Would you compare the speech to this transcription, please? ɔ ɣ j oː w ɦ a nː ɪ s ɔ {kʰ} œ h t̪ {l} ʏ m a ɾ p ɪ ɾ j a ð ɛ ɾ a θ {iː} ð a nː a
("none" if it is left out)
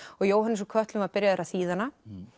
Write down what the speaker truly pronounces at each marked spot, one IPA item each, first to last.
kʰ, l, iː

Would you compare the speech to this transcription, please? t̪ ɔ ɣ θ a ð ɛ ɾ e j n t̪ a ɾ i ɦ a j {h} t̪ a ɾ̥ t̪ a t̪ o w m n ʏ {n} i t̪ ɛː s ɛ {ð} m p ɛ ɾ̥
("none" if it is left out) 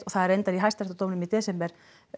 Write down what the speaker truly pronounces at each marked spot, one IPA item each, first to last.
s, m, none

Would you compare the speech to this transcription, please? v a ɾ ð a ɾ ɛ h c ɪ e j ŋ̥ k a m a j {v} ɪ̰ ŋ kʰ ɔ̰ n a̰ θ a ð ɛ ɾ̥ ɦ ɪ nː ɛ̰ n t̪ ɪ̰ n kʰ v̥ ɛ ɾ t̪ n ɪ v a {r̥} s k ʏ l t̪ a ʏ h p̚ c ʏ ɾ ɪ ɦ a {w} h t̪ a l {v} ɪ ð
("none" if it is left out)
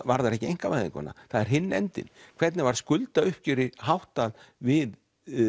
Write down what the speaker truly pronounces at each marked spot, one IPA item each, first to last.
ð, ɾ̥, w, v

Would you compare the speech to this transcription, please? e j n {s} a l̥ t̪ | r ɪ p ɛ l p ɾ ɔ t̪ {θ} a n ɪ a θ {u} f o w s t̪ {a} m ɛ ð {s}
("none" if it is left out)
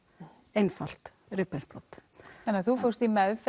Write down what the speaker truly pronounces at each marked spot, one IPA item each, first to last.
f, θ, u, i, f

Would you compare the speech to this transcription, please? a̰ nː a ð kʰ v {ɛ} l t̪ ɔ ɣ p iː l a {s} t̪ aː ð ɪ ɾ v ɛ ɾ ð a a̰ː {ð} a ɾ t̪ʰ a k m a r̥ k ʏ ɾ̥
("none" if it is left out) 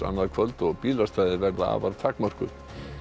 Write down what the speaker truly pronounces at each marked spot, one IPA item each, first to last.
œ, s, v

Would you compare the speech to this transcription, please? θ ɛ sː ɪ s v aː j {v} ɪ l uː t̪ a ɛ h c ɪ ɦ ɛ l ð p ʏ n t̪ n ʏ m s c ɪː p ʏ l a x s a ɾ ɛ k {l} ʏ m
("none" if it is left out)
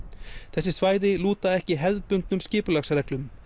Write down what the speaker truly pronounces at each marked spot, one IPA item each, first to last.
ð, l

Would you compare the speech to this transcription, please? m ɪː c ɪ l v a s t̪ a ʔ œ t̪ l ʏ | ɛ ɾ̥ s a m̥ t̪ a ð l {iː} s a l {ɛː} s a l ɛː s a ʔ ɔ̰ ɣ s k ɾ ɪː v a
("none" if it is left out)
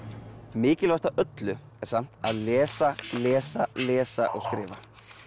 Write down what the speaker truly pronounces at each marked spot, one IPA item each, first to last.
ɛː, ɛː

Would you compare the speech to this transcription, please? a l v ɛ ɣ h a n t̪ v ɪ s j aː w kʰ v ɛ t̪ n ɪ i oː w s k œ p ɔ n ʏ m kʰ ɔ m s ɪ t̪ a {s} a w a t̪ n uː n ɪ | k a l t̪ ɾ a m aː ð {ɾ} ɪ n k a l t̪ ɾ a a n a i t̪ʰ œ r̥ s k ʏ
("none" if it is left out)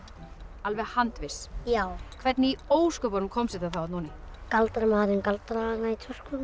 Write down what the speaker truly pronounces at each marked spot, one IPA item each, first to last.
θ, ɾ

